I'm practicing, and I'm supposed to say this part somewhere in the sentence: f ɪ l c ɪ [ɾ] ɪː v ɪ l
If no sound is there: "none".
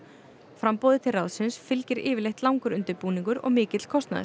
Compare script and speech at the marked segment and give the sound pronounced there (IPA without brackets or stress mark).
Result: ɾ